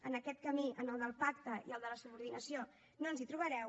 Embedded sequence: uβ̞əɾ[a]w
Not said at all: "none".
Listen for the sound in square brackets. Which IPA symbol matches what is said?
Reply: ɛ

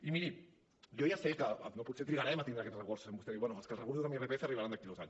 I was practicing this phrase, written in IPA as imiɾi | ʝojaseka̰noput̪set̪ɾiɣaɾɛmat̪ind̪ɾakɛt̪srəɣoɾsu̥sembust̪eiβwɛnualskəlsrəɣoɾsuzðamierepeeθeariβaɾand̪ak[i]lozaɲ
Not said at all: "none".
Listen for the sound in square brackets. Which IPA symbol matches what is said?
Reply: i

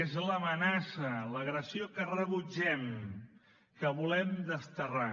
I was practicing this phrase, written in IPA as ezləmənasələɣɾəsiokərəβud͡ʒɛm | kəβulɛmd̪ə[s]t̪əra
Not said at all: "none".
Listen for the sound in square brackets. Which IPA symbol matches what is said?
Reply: s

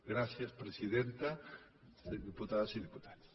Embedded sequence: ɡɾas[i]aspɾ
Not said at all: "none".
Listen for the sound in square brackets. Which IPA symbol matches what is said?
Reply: j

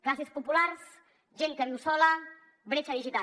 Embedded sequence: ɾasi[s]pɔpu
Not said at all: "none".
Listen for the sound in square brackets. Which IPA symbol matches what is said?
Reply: s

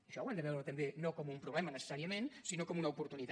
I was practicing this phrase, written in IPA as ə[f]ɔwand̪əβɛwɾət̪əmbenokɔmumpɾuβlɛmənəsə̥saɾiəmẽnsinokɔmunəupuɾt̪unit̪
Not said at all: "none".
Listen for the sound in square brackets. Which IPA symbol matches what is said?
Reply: ʃ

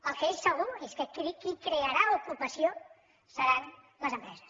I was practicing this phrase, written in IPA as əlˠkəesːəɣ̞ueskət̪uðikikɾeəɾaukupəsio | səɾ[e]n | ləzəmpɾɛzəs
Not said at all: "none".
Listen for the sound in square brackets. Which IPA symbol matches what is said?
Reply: a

